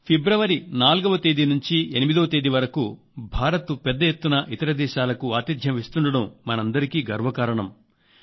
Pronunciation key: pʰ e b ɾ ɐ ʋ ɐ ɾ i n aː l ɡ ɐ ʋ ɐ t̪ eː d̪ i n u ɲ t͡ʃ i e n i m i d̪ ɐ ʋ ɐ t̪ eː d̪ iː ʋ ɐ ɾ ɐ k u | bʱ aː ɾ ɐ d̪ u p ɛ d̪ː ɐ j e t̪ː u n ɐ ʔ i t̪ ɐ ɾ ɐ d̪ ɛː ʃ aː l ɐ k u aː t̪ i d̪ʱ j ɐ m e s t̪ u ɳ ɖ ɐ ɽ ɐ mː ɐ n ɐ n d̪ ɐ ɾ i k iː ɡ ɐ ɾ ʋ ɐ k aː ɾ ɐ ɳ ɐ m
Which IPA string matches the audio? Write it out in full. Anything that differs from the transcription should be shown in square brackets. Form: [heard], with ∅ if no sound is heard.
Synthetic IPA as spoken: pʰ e b ɾ ɐ ʋ ɐ ɾ i n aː l ɡ ɐ ʋ ɐ t̪ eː d̪ i n u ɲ t͡ʃ i e n i m i d̪ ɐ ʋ ɐ t̪ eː d̪ [i] ʋ ɐ ɾ ɐ k u | bʱ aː ɾ ɐ [t̪] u p ɛ d̪ː ɐ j e t̪ː u n ɐ ʔ i t̪ ɐ ɾ ɐ d̪ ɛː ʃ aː l ɐ k u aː t̪ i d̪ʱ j ɐ m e s t̪ u ɳ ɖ ɐ ɽ ɐ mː ɐ n ɐ n d̪ ɐ ɾ i k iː ɡ ɐ ɾ ʋ ɐ k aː ɾ ɐ ɳ ɐ m